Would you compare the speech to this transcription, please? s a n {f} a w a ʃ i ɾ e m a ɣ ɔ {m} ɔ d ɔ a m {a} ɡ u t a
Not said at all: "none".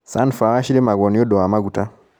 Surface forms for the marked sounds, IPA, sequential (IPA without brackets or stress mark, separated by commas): f, n, a